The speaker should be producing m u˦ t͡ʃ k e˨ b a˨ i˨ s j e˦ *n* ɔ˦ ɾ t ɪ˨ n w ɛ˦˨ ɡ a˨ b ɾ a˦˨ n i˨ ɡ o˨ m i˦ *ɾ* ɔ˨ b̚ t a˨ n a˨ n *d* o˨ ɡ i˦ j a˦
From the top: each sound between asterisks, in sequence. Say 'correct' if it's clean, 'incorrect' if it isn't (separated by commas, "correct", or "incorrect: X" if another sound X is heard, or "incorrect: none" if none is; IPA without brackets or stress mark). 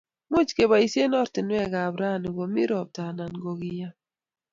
correct, correct, incorrect: ɡ